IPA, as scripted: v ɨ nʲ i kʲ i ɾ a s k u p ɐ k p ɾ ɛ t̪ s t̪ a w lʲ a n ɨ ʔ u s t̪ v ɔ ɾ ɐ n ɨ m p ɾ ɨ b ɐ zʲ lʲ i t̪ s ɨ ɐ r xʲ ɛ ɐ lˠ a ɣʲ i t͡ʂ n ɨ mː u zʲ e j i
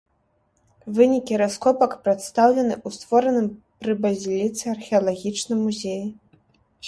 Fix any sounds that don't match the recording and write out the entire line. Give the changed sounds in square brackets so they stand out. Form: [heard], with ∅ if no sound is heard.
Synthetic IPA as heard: v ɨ nʲ i kʲ i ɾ a s k [ɔ] p ɐ k p ɾ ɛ t̪ s t̪ a w lʲ [ɛ] n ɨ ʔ u s t̪ v ɔ ɾ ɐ n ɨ m p ɾ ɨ b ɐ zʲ lʲ i t̪ s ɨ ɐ r xʲ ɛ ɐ lˠ a ɣʲ i t͡ʂ n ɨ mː u zʲ e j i